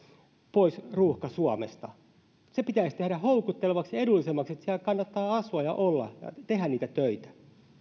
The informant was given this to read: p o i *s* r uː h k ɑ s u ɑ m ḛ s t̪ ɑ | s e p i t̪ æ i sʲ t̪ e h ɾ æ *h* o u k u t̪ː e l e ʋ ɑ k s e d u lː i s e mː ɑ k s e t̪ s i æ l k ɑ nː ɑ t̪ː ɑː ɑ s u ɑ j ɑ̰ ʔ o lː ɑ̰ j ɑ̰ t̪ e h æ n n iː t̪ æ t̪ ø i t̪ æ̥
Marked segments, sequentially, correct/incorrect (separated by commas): correct, correct